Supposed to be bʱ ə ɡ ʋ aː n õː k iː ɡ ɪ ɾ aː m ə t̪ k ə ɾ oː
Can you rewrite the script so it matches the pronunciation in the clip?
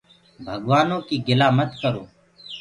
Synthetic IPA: bʱ ə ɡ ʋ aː n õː k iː ɡ ɪ l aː m ə t̪ k ə ɾ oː